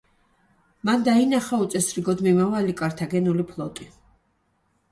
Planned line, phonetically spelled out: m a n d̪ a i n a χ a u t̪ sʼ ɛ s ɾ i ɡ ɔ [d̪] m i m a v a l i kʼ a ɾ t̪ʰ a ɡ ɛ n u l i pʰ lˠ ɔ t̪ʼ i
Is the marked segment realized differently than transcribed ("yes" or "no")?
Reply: no